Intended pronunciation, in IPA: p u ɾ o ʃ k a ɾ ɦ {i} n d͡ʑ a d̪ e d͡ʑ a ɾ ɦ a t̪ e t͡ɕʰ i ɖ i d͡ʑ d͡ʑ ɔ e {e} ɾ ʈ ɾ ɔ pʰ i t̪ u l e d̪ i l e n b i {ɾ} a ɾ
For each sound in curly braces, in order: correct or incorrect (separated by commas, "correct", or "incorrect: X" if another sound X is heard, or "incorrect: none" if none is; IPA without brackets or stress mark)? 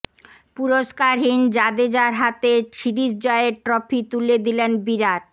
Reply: correct, correct, correct